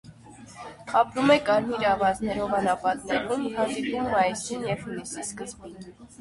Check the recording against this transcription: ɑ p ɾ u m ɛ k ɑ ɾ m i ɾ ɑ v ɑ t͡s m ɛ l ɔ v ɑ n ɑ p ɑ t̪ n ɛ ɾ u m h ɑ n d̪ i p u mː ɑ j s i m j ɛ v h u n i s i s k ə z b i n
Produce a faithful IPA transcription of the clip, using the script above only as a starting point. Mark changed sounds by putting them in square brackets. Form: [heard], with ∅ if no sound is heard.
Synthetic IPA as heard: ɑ p ɾ u m ɛ k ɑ ɾ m i ɾ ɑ v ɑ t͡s [n] ɛ [ɾ] ɔ v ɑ n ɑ p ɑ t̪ n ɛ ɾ u m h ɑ n d̪ i p u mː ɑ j s i [n] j ɛ v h u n i s i s k ə z b i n